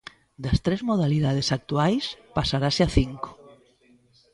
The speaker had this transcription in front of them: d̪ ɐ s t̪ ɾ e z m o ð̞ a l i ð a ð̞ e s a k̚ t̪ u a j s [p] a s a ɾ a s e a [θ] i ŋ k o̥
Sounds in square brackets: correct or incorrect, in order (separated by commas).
correct, correct